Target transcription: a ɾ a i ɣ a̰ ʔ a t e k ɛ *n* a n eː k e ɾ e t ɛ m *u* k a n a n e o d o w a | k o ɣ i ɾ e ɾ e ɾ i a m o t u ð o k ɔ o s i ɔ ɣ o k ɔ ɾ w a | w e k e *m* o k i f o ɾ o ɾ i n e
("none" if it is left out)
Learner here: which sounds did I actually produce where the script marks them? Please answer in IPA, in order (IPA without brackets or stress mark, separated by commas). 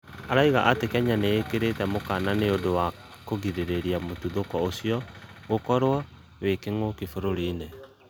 ɲ, o, ŋ